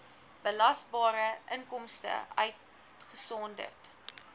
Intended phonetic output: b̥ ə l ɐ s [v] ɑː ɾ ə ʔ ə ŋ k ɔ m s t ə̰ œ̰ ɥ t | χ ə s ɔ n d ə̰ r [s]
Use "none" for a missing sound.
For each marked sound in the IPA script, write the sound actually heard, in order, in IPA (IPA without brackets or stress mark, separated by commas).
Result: b, t